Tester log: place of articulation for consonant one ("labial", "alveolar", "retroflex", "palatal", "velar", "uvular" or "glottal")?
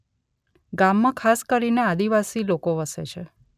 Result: velar